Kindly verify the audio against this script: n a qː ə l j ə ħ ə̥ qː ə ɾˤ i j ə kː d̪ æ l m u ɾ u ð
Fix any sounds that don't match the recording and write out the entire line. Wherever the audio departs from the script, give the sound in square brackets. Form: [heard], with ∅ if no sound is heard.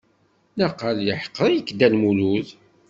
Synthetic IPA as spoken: n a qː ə l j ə ħ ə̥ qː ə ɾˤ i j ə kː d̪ æ l m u [l] u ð